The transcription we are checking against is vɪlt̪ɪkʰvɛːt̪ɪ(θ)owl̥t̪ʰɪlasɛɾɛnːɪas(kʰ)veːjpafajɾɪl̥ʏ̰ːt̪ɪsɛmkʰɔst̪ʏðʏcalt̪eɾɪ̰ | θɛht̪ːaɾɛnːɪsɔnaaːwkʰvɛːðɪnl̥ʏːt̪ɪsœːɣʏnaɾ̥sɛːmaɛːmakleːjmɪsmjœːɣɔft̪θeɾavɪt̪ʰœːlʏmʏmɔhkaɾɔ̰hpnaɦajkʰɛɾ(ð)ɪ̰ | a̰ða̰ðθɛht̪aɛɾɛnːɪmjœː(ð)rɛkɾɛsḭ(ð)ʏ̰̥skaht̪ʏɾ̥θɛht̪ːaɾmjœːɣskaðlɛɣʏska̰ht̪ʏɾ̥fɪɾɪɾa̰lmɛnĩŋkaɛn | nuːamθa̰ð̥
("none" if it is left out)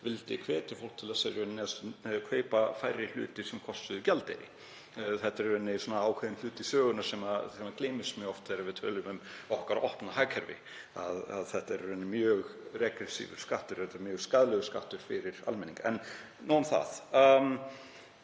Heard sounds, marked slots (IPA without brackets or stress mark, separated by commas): f, kʰ, v, ɣ, v